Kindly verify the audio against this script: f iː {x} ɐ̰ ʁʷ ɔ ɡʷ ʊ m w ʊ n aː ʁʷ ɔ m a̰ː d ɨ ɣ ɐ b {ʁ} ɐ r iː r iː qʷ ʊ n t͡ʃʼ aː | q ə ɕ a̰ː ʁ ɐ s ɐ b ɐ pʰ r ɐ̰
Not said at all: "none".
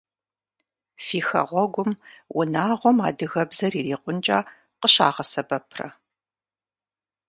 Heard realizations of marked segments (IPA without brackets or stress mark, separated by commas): x, z